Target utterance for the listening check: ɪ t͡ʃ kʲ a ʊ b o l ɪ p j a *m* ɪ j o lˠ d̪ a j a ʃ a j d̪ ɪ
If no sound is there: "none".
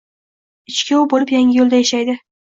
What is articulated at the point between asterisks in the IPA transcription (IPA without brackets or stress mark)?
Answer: ŋ